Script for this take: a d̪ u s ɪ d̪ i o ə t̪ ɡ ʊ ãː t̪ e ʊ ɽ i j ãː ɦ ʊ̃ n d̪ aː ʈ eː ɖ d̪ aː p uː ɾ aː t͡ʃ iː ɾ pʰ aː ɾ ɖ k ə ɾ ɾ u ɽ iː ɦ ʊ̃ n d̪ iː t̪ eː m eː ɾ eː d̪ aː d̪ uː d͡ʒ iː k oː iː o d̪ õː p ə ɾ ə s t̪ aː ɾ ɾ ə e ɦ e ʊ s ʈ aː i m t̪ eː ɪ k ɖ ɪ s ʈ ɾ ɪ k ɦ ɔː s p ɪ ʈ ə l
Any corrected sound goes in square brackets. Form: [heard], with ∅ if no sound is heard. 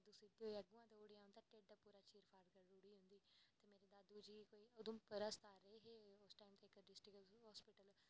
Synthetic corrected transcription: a d̪ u s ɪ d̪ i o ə [∅] ɡ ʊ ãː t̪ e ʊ ɽ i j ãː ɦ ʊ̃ n d̪ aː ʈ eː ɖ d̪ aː p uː ɾ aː t͡ʃ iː ɾ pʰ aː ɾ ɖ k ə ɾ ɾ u ɽ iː ɦ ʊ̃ n d̪ iː t̪ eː m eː ɾ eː d̪ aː d̪ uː d͡ʒ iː k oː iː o d̪ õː p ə ɾ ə s t̪ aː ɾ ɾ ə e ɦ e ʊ s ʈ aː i m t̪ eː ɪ k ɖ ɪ s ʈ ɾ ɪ k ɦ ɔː s p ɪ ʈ ə l

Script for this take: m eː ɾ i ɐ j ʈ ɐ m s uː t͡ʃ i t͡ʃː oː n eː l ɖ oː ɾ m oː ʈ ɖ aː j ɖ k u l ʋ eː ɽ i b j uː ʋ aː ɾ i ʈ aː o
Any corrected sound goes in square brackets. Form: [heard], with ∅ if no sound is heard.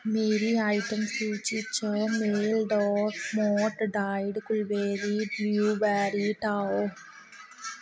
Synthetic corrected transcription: m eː ɾ i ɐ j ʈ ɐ m s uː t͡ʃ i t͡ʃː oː [m] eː l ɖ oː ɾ m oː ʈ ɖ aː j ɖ k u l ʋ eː [ɾ] i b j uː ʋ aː ɾ i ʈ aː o

